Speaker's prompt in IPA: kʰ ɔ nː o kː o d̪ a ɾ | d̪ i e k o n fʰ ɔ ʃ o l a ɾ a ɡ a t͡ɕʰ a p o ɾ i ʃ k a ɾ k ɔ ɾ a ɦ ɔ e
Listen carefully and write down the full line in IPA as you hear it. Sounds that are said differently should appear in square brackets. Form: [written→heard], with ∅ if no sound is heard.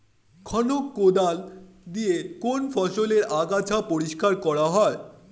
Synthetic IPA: kʰ ɔ [nː→n] o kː o d̪ a [ɾ→l] | d̪ i e k o n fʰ ɔ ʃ o l [a→e] ɾ a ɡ a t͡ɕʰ a p o ɾ i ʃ k a ɾ k ɔ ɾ a ɦ ɔ e